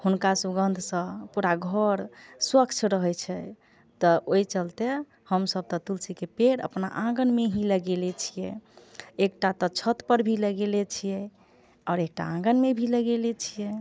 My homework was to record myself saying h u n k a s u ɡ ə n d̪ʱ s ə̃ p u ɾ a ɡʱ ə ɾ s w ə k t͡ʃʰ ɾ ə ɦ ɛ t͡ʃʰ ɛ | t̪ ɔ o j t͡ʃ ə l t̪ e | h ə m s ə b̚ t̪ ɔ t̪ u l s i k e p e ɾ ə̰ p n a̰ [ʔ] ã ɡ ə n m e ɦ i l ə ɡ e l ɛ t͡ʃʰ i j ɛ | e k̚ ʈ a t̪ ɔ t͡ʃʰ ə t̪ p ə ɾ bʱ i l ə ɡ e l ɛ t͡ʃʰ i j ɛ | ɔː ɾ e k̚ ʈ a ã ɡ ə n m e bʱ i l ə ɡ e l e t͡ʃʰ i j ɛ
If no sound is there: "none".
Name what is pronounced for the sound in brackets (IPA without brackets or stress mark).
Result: ʔ